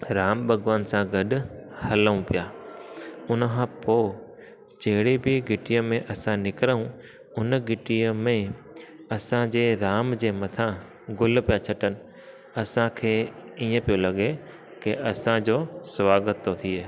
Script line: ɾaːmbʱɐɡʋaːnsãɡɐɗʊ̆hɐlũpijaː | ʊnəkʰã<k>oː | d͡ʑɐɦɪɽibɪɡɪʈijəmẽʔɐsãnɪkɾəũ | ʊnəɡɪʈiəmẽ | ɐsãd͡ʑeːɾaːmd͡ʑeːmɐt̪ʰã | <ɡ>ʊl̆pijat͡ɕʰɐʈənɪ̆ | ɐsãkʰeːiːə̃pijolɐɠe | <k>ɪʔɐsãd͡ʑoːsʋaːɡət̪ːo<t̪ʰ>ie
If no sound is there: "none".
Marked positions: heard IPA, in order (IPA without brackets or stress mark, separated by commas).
p, ɡ, k, t̪ʰ